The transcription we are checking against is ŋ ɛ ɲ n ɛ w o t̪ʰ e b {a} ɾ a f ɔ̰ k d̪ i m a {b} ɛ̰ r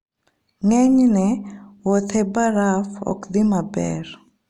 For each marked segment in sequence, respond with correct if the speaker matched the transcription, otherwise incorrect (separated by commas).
correct, correct